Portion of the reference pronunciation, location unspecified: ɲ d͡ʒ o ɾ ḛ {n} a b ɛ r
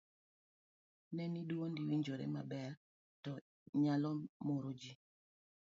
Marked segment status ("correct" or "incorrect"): incorrect